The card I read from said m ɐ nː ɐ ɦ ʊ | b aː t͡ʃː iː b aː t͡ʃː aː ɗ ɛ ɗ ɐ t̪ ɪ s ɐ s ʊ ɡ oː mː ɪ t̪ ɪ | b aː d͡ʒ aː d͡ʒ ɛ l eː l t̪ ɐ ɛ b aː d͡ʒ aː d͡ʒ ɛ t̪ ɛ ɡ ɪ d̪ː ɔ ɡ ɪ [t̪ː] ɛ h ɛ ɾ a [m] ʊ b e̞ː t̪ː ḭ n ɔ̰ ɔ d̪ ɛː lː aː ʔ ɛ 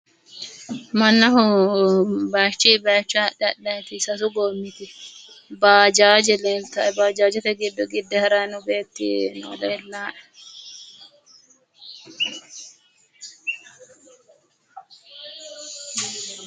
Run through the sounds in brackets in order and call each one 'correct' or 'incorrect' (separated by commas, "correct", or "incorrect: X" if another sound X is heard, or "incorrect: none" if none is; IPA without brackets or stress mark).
incorrect: d̪ː, incorrect: n